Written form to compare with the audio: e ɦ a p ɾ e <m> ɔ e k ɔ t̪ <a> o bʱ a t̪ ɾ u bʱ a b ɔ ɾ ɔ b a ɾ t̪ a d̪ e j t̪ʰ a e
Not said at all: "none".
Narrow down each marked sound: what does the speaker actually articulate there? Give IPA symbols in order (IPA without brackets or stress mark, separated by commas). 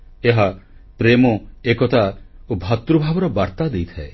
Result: m, a